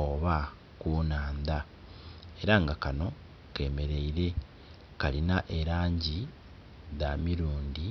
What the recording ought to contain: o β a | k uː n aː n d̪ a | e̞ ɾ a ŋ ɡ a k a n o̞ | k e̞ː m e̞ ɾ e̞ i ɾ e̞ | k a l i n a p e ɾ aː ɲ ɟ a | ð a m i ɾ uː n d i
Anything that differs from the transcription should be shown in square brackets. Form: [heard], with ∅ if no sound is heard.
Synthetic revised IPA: o β a | k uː n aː n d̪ a | e̞ ɾ a ŋ ɡ a k a n o̞ | k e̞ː m e̞ ɾ e̞ i ɾ e̞ | k a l i n a [ʔ] e ɾ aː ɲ ɟ [i] | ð a m i ɾ uː n d i